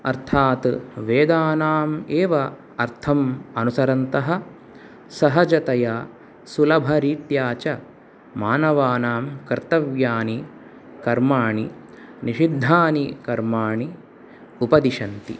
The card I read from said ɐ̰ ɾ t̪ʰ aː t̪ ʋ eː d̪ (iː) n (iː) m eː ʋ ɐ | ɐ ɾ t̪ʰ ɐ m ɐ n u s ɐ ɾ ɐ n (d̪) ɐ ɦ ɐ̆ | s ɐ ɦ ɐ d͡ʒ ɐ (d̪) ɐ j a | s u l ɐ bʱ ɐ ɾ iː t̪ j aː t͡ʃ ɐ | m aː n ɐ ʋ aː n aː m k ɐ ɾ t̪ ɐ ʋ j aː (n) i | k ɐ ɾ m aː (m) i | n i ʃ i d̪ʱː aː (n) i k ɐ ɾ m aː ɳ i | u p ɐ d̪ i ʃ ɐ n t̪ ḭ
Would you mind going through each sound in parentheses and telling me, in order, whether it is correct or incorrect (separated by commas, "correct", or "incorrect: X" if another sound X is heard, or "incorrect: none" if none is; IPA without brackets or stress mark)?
incorrect: aː, incorrect: aː, incorrect: t̪, incorrect: t̪, correct, incorrect: ɳ, correct